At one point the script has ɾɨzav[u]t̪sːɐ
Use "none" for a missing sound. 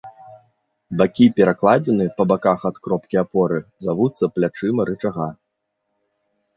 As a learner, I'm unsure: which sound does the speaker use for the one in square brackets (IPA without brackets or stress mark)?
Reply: u